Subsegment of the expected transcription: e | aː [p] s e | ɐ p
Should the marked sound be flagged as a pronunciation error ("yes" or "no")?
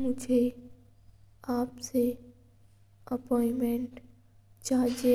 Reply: no